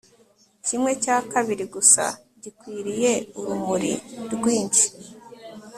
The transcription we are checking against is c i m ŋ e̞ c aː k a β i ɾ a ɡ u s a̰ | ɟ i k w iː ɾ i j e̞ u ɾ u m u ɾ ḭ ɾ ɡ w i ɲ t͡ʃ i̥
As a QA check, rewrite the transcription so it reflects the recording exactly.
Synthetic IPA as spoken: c i m ŋ e̞ c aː k a β i ɾ i ɡ u s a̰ | ɟ i k w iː ɾ i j e̞ u ɾ u m u ɾ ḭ ɾ ɡ w iː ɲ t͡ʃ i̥